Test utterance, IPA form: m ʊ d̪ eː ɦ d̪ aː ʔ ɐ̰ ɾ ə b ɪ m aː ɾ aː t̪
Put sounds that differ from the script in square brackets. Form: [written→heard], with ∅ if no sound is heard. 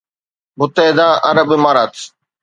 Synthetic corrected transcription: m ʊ [d̪→t̪] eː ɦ d̪ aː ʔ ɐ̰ ɾ ə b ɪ m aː ɾ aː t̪